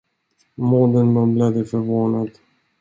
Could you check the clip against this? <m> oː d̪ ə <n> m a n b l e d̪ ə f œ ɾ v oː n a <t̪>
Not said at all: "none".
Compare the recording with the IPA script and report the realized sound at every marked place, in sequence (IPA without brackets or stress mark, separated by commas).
m, n, d̪